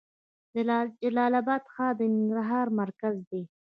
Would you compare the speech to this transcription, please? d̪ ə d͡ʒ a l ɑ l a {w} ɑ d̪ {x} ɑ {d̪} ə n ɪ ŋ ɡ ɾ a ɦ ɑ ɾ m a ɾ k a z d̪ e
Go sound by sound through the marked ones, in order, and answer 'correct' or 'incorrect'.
incorrect, correct, correct

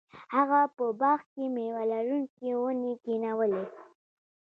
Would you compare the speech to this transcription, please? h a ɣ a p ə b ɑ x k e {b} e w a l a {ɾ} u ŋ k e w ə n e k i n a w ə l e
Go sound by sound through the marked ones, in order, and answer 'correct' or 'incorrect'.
incorrect, correct

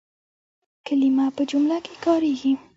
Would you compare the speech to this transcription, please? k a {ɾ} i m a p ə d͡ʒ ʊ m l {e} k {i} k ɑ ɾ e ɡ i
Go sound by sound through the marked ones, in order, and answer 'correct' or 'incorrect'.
incorrect, incorrect, incorrect

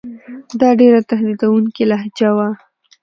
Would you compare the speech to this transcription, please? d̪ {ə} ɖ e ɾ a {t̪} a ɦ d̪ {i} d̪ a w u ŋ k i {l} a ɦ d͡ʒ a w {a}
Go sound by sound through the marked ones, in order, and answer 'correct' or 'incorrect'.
incorrect, correct, correct, correct, correct

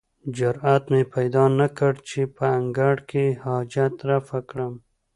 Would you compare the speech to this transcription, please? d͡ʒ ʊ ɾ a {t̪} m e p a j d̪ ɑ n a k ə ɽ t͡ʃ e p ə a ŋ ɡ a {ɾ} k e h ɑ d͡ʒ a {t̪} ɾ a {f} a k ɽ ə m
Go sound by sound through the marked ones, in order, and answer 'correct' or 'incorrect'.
correct, incorrect, correct, correct

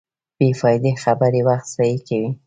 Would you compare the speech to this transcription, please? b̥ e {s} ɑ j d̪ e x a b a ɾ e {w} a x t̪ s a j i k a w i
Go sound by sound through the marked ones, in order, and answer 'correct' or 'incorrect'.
incorrect, correct

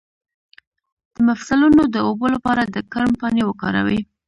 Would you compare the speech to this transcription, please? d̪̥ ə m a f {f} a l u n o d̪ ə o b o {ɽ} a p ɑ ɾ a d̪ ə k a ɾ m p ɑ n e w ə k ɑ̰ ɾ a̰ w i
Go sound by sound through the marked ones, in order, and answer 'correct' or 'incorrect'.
incorrect, incorrect

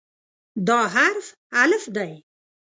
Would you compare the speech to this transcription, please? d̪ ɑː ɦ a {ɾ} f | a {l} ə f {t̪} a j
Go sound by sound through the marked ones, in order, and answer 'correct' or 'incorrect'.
correct, correct, incorrect

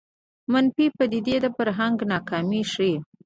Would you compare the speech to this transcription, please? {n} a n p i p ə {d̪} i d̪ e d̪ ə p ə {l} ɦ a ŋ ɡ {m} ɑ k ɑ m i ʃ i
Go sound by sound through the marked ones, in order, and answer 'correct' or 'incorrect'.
incorrect, correct, incorrect, incorrect

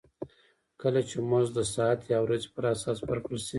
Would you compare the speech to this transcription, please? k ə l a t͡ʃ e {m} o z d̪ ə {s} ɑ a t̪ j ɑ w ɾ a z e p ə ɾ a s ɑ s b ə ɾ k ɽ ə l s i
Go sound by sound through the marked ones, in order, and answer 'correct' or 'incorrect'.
correct, correct

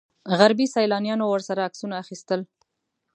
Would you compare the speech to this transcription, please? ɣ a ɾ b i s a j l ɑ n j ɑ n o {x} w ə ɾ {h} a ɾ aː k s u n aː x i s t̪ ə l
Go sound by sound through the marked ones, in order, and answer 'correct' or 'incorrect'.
incorrect, incorrect

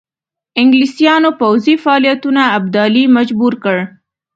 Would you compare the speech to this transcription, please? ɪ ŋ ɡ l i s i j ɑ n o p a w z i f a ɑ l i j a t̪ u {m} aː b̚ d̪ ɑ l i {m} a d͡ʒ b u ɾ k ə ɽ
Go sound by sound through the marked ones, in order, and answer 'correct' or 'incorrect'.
incorrect, correct

